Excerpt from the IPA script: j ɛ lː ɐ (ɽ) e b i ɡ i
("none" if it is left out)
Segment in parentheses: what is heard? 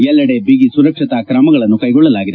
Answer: ɽ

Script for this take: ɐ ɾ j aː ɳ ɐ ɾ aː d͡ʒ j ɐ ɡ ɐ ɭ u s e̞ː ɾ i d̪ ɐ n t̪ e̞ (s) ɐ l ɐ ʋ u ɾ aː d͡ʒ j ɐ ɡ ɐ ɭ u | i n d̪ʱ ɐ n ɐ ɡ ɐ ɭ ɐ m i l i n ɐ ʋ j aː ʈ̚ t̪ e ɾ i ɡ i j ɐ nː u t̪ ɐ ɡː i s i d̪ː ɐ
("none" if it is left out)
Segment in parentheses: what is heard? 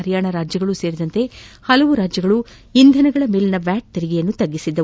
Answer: h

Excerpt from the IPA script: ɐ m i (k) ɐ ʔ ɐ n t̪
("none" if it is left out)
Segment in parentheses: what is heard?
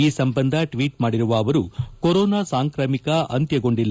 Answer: k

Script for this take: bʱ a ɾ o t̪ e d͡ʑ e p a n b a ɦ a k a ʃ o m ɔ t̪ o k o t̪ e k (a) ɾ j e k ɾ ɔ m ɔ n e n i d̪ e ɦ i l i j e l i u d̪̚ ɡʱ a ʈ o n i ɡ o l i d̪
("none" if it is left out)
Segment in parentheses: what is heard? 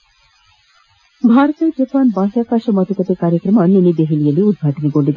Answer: a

